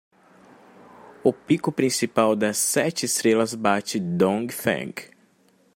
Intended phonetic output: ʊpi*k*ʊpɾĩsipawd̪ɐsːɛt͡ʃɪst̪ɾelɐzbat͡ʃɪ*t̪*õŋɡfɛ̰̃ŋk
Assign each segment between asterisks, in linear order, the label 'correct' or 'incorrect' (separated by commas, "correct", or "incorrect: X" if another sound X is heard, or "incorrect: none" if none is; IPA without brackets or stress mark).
correct, incorrect: d̪